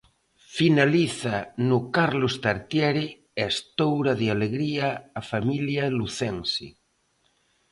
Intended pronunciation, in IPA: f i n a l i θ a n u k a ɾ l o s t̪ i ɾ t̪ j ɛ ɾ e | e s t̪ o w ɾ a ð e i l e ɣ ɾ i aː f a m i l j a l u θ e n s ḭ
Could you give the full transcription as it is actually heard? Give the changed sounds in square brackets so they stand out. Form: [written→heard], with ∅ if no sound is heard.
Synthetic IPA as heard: f i n a l i θ a n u k a ɾ l o s t̪ [i→a] ɾ t̪ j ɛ ɾ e | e s t̪ o w ɾ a ð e [i→a] l e ɣ ɾ i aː f a m i l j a l u θ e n s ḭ